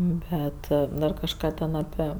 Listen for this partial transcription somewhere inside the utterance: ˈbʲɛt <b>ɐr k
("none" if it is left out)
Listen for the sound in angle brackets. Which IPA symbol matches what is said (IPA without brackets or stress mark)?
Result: d